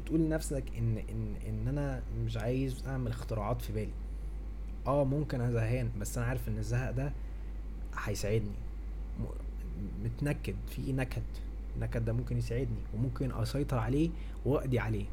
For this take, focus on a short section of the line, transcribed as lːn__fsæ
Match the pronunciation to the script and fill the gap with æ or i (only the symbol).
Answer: æ